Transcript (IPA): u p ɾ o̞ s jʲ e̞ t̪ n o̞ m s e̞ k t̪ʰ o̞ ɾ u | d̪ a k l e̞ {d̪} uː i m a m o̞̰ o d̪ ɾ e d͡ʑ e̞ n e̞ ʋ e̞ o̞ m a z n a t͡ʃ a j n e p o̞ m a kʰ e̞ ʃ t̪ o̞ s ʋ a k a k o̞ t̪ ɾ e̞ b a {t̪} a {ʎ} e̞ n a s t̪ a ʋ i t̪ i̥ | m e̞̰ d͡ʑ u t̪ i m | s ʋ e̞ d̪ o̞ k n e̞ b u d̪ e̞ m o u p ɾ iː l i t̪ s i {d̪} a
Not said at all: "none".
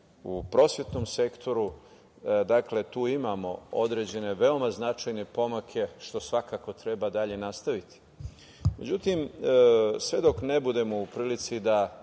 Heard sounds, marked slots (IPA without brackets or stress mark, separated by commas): t̪, d̪, ʎ, d̪